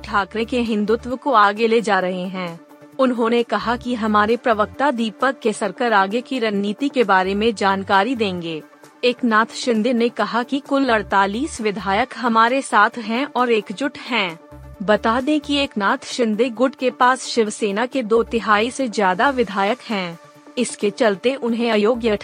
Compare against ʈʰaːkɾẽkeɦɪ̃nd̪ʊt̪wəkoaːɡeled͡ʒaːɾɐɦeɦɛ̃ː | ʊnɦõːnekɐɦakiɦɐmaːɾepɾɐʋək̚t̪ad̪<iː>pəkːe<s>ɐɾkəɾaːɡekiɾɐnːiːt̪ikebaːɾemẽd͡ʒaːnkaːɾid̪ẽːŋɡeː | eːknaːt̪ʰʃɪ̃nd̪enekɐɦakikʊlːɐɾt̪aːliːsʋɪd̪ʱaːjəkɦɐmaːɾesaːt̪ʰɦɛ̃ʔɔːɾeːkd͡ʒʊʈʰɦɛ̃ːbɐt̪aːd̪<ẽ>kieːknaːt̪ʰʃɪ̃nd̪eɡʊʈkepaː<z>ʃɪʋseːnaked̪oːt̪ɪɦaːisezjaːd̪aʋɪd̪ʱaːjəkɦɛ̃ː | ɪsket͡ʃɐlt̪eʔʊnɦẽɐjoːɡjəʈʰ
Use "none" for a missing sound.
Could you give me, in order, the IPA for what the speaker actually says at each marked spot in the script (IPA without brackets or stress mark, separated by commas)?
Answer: iː, s, ẽ, s